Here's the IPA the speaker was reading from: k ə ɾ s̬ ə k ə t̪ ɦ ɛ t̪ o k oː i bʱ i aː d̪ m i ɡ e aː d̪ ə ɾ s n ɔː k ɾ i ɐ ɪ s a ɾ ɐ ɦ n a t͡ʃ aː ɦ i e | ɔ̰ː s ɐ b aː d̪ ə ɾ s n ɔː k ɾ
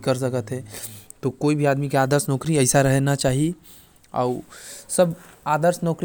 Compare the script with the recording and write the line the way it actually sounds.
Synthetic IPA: k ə ɾ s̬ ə k ə t̪ ɦ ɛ t̪ o k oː i bʱ i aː d̪ m i k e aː d̪ ə ɾ s n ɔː k ɾ i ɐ ɪ s a ɾ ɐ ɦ n a t͡ʃ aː ɦ i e | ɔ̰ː s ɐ b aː d̪ ə ɾ s n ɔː k ɾ

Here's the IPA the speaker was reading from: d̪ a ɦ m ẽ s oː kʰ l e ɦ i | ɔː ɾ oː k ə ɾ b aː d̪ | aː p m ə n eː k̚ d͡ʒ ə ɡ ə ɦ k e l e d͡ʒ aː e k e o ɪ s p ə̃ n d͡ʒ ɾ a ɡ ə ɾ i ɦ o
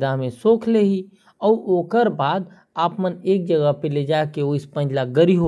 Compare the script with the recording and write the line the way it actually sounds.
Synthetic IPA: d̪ a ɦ m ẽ s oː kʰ l e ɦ i | ɔː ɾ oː k ə ɾ b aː d̪ | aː p m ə n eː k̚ d͡ʒ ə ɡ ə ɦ p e l e d͡ʒ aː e k e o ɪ s p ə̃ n d͡ʒ l a ɡ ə ɾ i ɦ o

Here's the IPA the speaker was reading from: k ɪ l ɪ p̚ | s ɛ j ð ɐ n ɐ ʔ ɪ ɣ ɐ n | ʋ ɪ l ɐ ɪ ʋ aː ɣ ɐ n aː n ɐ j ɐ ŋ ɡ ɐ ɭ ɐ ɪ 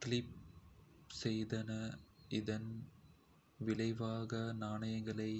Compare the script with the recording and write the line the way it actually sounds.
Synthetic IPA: k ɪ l ɪ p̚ | s ɛ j ð ɐ n ɐ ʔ ɪ ð ɐ n | ʋ ɪ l ɐ ɪ ʋ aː ɣ ɐ n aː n ɐ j ɐ ŋ ɡ ɐ ɭ ɐ ɪ

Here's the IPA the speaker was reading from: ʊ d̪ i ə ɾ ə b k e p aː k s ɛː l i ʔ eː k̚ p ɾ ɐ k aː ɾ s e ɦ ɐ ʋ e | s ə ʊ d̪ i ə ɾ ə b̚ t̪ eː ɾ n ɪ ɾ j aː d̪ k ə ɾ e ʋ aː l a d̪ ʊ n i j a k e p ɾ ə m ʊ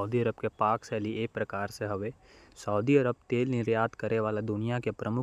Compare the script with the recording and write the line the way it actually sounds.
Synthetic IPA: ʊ d̪ i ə ɾ ə b k e p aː k s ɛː l i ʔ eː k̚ p ɾ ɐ k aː ɾ s e ɦ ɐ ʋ e | s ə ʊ d̪ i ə ɾ ə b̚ t̪ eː l n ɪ ɾ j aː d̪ k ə ɾ e ʋ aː l a d̪ ʊ n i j a k e p ɾ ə m ʊ

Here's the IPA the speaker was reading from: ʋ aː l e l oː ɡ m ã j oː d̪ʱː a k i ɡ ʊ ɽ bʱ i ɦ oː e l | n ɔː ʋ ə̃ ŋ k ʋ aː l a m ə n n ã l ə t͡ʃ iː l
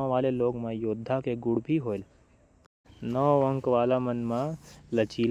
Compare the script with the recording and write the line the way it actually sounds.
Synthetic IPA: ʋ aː l e l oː ɡ m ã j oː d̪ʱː a k e ɡ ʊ ɽ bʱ i ɦ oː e l | n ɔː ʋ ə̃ ŋ k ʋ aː l a m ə n m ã l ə t͡ʃ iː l

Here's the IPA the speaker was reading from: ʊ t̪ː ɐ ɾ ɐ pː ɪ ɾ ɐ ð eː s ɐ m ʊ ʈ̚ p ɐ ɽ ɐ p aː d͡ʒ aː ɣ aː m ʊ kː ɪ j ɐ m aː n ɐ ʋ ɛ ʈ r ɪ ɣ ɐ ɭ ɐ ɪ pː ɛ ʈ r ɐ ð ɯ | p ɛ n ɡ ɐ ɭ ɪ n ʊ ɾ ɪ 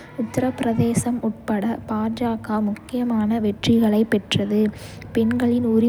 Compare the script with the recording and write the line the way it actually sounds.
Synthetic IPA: ʊ t̪ː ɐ ɾ ɐ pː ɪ ɾ ɐ ð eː s ɐ m ʊ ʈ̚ p ɐ ɽ ɐ p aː d͡ʒ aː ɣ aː m ʊ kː ɪ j ɐ m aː n ɐ ʋ ɛ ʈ r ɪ ɣ ɐ ɭ ɐ ɪ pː ɛ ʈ r ɐ ð ɯ | p ɛ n ɡ ɐ ɭ ɪ n ʊ ɾ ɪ

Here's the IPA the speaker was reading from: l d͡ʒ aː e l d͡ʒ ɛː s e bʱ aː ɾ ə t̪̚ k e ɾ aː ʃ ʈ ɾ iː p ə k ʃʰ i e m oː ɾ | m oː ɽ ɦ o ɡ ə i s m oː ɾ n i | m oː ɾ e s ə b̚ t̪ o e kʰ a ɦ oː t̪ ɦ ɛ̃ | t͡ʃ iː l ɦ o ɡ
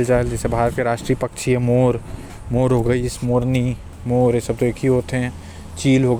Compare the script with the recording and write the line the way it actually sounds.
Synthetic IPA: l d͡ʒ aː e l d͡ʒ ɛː s e bʱ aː ɾ ə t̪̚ k e ɾ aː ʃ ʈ ɾ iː p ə k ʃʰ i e m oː ɾ | m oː ɾ ɦ o ɡ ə i s m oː ɾ n i | m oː ɾ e s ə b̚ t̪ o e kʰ i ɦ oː t̪ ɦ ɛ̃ | t͡ʃ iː l ɦ o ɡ

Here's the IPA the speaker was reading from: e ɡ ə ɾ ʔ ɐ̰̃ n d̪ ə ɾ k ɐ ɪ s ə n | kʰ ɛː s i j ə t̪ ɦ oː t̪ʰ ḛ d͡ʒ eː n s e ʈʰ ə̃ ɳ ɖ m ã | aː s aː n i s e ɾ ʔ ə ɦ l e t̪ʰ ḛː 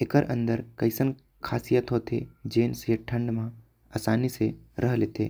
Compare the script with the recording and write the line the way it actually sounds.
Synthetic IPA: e k ə ɾ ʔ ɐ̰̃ n d̪ ə ɾ k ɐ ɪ s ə n | kʰ aː s i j ə t̪ ɦ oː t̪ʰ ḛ d͡ʒ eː n s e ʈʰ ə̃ ɳ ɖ m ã | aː s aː n i s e ɾ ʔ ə ɦ l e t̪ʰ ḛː

